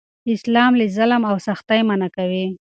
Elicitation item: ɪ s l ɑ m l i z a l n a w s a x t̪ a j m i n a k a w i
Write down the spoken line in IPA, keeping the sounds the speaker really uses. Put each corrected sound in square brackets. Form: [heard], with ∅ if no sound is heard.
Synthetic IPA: ɪ s l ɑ m l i z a l [m] a w s a x t̪ a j m [a] n a k a w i